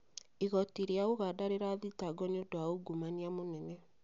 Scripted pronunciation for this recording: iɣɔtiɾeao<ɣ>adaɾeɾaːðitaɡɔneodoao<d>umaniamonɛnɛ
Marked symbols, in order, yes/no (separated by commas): yes, no